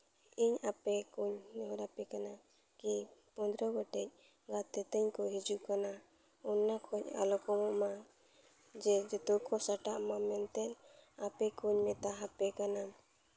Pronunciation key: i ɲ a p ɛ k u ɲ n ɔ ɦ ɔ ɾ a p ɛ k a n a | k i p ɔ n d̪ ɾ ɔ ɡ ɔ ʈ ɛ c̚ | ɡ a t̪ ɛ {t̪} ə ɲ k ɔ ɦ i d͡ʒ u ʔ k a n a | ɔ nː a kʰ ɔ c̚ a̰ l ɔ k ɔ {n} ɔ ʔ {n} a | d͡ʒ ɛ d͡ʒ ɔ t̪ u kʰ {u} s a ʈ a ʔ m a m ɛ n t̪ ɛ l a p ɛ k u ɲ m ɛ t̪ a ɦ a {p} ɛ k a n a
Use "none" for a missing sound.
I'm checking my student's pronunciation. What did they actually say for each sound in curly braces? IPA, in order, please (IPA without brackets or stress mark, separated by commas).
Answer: t̪, m, m, ɔ, p